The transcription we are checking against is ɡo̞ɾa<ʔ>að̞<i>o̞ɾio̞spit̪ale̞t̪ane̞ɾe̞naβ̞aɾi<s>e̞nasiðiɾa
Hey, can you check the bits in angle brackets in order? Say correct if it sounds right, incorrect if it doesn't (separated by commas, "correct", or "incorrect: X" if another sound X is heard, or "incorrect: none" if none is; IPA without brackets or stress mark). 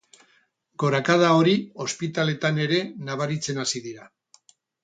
incorrect: k, incorrect: a, incorrect: t͡s